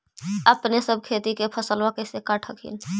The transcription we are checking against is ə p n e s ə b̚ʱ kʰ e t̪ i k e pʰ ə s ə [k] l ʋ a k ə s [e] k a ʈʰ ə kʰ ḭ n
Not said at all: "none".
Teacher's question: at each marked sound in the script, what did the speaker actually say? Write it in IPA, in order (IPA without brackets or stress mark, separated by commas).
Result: none, e